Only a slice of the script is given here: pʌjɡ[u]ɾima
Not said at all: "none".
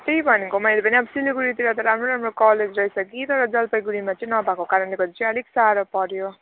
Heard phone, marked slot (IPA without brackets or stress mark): u